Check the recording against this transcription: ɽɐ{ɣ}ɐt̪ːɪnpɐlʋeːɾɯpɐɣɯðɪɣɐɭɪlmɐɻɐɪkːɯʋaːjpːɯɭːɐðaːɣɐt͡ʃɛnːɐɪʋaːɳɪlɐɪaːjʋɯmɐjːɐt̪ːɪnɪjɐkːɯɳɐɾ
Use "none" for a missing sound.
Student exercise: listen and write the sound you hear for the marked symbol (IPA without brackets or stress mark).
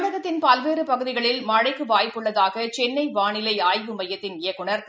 ɣ